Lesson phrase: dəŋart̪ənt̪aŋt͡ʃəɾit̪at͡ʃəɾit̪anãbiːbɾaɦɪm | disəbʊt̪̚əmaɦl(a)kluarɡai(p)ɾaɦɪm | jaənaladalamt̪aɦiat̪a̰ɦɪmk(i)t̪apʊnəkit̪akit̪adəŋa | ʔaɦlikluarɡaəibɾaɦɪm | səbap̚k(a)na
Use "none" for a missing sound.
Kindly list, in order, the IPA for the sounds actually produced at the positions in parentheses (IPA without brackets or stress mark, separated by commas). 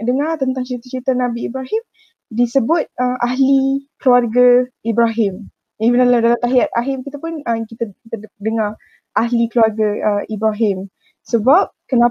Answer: i, b, i, ə